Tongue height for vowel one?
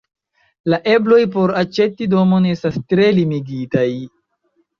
low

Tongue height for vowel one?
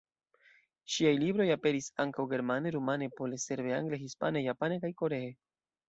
high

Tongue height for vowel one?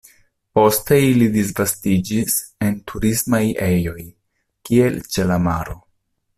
mid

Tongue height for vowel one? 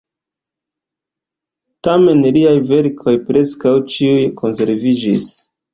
low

